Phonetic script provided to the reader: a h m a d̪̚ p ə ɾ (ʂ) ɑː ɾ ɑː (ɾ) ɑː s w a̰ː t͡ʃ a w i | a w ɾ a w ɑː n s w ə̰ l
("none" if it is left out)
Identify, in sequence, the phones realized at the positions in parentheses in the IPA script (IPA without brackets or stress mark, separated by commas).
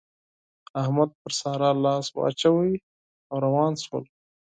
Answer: s, l